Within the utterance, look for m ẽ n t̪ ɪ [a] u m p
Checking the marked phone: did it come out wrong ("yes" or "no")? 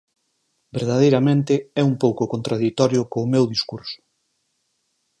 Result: yes